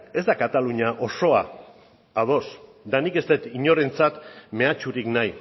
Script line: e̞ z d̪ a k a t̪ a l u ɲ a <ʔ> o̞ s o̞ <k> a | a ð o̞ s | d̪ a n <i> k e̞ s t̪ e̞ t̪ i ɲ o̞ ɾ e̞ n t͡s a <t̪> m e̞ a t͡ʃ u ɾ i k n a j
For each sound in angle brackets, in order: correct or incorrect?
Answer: correct, incorrect, correct, correct

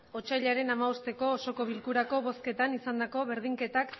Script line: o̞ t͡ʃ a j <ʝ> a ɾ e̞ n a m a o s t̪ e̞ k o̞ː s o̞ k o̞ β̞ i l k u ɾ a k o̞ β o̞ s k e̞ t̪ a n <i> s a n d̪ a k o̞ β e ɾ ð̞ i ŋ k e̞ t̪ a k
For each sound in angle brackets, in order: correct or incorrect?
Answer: incorrect, correct

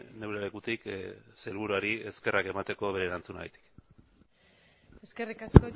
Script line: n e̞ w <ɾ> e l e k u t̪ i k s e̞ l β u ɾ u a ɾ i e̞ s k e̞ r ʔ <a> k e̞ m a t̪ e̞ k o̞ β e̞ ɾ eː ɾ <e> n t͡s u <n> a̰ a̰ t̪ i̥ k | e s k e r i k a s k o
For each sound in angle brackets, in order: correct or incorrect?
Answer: correct, correct, incorrect, correct

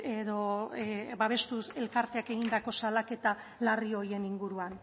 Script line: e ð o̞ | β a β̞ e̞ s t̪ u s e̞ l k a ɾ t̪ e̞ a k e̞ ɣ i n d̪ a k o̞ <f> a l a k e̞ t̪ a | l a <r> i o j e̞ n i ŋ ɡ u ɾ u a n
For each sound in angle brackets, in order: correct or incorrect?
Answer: incorrect, correct

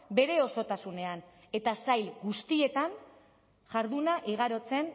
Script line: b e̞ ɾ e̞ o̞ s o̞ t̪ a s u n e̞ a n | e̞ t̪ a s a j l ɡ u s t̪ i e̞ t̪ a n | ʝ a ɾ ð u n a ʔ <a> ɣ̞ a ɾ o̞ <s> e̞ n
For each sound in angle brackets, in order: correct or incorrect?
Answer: incorrect, incorrect

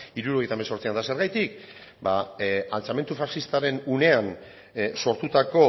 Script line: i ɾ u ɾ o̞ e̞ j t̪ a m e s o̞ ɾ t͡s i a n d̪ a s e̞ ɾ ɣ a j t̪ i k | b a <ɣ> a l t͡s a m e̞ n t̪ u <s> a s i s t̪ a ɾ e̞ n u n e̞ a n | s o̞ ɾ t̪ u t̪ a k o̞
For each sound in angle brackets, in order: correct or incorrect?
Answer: incorrect, incorrect

